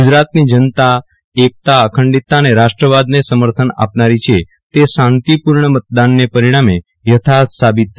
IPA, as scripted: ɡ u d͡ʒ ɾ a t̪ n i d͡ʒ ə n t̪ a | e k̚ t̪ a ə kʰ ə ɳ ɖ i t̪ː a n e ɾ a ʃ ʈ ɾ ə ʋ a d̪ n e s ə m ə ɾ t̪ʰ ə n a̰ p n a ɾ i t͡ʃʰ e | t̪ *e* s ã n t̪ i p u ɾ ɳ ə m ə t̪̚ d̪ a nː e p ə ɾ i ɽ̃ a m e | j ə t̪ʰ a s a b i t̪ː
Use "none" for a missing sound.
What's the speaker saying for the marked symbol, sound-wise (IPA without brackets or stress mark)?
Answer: e